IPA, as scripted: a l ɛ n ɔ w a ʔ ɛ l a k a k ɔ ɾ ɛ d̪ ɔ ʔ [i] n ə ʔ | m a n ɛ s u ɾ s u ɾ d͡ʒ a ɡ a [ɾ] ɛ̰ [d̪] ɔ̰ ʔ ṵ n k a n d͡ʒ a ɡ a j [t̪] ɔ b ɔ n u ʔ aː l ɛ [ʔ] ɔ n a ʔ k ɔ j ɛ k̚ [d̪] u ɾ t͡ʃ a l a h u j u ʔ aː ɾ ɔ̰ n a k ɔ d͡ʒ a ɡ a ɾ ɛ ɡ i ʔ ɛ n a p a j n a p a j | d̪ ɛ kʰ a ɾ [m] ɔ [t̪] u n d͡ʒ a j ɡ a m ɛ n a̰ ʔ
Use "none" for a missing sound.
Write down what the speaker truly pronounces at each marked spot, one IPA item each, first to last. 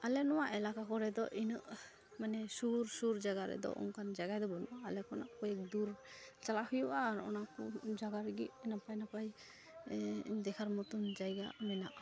i, ɾ, d̪, d̪, k, d̪, m, t̪

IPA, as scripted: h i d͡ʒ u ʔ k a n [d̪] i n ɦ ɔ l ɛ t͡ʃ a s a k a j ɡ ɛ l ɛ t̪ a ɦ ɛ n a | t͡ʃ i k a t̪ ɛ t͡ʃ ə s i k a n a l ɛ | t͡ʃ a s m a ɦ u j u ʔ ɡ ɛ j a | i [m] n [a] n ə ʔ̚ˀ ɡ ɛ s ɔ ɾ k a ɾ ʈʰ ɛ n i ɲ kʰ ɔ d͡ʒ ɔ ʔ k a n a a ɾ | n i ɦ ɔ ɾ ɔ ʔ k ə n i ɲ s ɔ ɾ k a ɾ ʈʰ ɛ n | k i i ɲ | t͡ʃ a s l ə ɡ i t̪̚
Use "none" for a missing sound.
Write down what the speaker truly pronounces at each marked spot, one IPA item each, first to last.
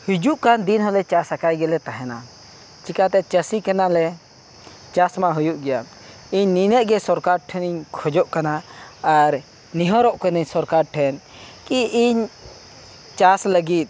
d̪, ɲ, i

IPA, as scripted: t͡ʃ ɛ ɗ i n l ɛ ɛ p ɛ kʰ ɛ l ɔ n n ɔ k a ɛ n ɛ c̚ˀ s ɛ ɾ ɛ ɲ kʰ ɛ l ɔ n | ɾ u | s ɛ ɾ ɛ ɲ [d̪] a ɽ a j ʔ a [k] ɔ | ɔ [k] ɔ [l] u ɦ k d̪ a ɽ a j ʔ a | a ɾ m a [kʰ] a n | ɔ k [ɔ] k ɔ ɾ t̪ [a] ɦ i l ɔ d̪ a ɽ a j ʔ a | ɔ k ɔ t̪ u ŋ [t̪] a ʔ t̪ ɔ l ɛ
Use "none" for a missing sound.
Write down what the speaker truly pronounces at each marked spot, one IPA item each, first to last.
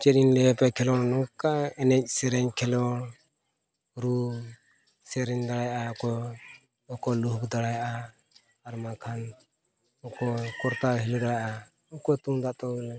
d̪, k, k, l, kʰ, ɔ, a, d̪

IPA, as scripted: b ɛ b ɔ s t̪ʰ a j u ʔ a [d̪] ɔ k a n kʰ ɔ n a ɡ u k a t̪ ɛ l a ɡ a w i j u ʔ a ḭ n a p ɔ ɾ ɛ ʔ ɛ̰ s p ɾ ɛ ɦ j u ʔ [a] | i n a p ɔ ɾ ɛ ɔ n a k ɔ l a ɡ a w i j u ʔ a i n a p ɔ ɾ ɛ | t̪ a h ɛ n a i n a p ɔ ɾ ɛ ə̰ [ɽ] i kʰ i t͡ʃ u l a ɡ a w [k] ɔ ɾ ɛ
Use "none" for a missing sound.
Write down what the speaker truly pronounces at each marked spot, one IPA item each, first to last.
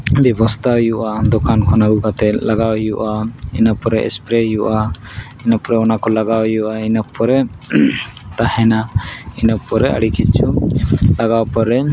d̪, a, ɽ, p

